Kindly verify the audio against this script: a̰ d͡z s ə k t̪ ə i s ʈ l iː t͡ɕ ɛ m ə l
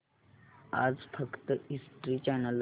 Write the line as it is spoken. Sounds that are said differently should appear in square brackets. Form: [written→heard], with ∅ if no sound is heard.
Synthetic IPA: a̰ d͡z [s→f] ə k t̪ ə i s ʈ [l→ɾ] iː t͡ɕ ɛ [m→n] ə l